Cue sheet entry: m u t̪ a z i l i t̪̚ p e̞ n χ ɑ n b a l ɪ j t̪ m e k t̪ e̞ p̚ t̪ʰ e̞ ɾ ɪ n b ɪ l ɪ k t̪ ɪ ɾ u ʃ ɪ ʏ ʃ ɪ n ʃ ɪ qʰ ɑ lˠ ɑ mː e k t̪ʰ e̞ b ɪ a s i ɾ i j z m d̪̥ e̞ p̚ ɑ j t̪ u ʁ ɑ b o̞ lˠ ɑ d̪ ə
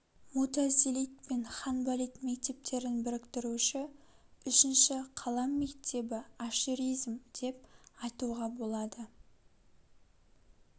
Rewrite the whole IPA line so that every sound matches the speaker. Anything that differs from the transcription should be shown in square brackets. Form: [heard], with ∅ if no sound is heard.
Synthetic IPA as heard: m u t̪ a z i l i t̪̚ p e̞ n χ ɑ n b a l [i] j t̪ m e k t̪ e̞ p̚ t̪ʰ e̞ ɾ ɪ n b ɪ [ɾ] ɪ k t̪ ɪ ɾ u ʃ ɪ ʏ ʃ ɪ n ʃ ɪ qʰ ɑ lˠ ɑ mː e k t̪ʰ e̞ b ɪ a [ʃ] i ɾ i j z m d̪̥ e̞ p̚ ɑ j t̪ u ʁ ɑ b o̞ lˠ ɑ d̪ ə